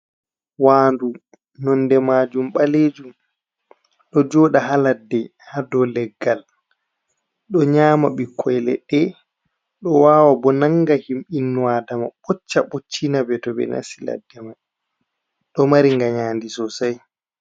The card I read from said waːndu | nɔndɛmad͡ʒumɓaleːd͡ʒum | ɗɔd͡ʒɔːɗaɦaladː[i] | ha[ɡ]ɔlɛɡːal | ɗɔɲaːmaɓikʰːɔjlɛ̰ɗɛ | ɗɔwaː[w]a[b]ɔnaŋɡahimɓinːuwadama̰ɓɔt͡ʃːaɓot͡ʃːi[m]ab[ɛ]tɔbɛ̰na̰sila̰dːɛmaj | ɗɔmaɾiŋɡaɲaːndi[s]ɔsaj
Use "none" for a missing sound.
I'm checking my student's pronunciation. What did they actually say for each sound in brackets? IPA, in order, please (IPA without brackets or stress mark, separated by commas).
ɛ, d, w, b, n, ɛ, s